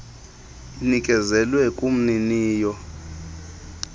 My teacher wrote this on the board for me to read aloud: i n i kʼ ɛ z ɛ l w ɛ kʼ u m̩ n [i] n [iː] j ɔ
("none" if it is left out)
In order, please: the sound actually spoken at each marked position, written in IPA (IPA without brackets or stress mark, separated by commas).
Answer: i, iː